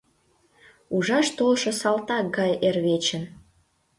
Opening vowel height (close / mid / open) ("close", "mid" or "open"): close